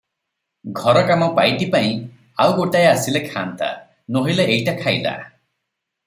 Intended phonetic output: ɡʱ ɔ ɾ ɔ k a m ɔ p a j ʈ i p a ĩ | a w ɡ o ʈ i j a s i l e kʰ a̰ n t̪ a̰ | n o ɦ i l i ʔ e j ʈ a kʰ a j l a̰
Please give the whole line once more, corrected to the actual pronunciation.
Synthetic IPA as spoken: ɡʱ ɔ ɾ ɔ k a m ɔ p a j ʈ i p a ĩ | a w ɡ o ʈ a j a s i l e kʰ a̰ n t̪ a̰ | n o ɦ i l e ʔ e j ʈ a kʰ a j l a̰